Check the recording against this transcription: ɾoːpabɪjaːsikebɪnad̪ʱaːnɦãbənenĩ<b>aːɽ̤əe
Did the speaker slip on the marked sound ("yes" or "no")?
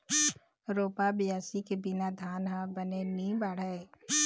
no